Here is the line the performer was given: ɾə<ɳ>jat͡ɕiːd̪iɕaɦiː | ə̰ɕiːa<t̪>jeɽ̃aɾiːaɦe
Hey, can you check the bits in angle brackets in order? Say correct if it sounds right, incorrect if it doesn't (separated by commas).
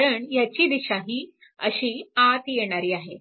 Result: correct, correct